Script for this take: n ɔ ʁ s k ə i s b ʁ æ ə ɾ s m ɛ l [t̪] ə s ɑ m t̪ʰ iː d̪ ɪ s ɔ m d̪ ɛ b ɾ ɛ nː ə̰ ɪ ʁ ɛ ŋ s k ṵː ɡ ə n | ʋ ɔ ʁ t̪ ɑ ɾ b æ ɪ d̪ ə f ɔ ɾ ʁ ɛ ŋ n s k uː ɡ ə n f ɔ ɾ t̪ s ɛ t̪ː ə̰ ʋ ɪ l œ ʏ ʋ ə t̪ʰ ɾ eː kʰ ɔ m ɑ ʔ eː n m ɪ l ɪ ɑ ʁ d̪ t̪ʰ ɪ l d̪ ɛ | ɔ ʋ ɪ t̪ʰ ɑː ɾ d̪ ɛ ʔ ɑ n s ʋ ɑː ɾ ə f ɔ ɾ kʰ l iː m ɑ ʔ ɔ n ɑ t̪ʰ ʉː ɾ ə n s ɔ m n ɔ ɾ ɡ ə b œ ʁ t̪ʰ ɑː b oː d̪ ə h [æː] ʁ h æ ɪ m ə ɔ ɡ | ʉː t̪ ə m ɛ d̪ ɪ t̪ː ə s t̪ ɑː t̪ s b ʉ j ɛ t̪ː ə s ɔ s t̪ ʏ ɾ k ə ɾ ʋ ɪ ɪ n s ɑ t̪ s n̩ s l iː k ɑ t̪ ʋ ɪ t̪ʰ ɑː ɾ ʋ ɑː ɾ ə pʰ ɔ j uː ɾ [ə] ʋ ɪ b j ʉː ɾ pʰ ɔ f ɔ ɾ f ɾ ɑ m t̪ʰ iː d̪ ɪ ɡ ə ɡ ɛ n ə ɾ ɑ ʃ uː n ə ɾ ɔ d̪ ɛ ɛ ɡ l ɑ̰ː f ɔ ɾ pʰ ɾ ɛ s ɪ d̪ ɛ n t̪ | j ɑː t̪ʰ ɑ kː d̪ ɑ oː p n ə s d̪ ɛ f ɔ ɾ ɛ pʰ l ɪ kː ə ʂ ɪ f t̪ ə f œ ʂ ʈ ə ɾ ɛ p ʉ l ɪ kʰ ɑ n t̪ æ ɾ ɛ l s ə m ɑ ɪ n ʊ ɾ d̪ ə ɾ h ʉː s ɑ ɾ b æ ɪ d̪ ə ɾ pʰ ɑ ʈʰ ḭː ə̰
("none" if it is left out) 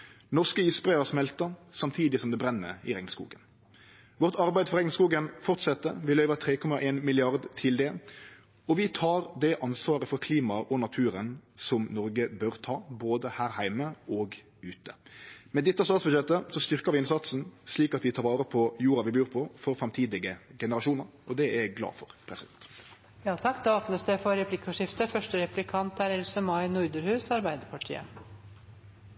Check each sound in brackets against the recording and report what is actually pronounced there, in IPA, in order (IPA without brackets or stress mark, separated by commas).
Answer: t̪, æː, ɑ